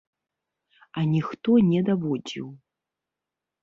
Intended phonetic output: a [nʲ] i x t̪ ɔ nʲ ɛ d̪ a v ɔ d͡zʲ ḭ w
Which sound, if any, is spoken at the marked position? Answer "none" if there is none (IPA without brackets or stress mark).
nʲ